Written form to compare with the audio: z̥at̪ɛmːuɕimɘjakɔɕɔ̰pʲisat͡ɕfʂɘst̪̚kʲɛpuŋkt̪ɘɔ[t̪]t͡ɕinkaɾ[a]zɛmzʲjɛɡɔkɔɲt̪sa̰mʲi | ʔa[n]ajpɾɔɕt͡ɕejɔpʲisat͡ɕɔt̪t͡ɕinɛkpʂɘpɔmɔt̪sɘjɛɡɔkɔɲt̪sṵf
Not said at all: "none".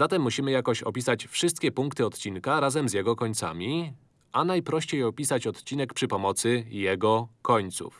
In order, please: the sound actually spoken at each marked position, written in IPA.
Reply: t̪, a, n

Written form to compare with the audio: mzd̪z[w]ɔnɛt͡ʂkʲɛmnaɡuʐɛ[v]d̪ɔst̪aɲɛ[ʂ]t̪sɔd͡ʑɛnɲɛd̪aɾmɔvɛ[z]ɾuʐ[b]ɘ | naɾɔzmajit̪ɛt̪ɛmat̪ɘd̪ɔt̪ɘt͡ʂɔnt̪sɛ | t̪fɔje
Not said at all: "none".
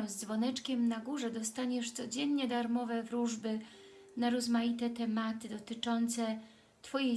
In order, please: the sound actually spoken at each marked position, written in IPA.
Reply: v, none, ʂ, v, b

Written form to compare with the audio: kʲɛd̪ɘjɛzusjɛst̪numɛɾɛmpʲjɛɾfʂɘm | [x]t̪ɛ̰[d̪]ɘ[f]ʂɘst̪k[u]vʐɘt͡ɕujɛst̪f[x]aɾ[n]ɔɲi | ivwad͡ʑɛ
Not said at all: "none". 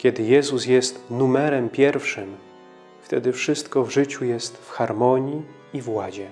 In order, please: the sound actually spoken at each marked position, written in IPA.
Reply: f, d̪, f, ɔ, x, m

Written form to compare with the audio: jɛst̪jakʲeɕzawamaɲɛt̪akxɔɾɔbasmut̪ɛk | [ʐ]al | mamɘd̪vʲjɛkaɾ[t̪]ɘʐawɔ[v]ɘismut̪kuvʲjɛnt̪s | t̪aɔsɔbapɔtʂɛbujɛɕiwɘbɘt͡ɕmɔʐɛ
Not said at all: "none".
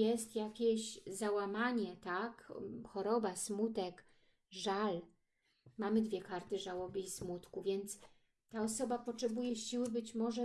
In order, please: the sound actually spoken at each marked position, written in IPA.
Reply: ʐ, t̪, b

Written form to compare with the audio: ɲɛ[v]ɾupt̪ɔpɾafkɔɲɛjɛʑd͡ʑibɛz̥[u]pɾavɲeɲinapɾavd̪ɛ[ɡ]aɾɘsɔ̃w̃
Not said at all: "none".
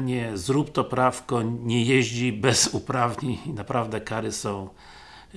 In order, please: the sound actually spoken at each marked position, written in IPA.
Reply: z, u, k

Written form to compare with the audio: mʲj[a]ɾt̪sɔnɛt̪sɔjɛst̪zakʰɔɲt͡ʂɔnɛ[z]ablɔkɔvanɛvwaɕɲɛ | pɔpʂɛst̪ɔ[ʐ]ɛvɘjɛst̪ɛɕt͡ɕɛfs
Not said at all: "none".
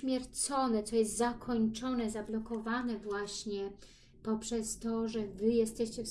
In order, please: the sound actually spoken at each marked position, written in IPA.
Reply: ɛ, z, ʐ

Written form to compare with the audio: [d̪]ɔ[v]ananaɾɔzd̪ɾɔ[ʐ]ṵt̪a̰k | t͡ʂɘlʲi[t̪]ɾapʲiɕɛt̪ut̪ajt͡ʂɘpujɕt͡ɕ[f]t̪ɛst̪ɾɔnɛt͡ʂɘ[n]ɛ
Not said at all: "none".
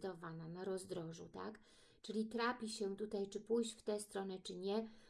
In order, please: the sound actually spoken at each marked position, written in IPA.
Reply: d̪, v, ʐ, t̪, f, ɲ

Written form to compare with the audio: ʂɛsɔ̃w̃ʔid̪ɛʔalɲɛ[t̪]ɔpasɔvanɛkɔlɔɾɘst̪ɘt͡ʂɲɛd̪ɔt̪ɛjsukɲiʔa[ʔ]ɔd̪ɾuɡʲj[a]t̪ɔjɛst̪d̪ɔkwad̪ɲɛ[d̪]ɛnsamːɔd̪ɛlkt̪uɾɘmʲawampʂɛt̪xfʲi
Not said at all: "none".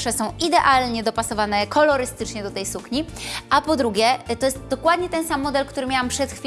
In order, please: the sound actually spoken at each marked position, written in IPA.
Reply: d̪, p, ɛ, t̪

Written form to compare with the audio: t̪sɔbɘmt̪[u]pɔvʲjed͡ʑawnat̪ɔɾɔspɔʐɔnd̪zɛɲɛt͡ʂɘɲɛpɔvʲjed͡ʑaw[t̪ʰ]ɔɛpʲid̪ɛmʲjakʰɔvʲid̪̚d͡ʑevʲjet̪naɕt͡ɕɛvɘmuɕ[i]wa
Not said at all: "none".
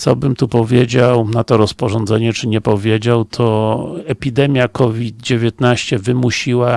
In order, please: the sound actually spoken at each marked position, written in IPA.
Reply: u, t̪ʰ, i

